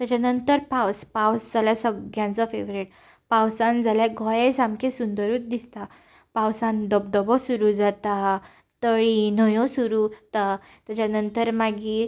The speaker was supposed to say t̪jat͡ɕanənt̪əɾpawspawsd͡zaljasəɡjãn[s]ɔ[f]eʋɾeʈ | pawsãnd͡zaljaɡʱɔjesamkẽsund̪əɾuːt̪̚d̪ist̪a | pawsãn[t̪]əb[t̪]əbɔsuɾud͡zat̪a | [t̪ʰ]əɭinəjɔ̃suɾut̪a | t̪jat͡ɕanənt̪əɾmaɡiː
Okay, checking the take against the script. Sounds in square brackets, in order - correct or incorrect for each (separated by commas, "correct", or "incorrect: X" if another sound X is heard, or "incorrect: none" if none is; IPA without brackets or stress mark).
incorrect: t͡s, correct, incorrect: d̪, incorrect: d̪, incorrect: t̪